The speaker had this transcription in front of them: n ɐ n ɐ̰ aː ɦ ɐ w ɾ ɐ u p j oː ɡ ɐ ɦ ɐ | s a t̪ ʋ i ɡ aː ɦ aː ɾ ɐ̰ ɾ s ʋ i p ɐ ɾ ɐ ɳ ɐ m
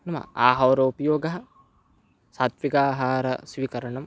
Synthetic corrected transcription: n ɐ m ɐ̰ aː ɦ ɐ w ɾ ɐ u p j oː ɡ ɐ ɦ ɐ | s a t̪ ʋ i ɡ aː ɦ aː ɾ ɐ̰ s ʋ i k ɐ ɾ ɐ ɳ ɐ m